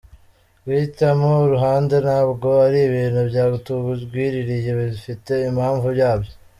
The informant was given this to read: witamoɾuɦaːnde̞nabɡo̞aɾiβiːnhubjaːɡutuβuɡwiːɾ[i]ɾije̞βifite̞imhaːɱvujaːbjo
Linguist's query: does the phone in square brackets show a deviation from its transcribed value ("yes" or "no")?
no